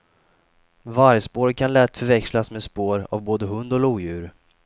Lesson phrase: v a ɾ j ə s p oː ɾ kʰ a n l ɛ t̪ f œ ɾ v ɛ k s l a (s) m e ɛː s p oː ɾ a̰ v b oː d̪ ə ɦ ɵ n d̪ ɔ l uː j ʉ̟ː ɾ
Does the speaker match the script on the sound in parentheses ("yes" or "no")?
yes